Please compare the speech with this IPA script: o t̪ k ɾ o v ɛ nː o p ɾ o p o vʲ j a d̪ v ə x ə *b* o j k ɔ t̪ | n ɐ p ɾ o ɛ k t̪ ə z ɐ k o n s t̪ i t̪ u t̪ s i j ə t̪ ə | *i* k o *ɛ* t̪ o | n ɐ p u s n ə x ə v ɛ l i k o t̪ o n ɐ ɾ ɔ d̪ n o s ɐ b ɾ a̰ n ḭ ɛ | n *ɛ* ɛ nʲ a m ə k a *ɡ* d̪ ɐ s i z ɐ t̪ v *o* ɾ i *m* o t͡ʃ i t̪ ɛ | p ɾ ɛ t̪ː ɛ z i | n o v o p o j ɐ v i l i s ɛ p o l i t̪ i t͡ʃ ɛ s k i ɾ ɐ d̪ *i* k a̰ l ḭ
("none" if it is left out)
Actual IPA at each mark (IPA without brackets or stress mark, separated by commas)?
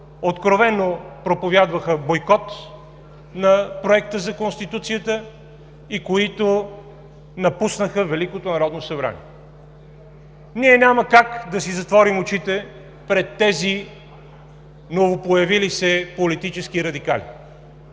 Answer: b, i, i, i, k, ɔ, m, i